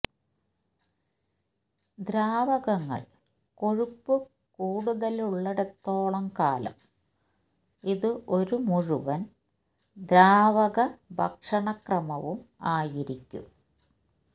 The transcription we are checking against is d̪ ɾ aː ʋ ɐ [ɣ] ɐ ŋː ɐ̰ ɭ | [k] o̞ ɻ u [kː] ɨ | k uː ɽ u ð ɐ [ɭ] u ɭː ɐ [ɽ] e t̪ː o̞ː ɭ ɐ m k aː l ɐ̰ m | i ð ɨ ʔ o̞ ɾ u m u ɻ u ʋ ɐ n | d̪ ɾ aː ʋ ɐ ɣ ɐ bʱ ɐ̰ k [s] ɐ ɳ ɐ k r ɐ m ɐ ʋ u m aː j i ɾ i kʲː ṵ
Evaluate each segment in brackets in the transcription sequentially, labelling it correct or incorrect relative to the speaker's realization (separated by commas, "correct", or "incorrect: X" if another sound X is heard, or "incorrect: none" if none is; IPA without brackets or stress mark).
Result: correct, correct, incorrect: pː, incorrect: l, correct, incorrect: ʂ